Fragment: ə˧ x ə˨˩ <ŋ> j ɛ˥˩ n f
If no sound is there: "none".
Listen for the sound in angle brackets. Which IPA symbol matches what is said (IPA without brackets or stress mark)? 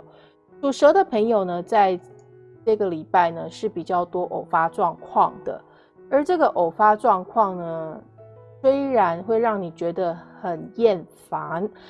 n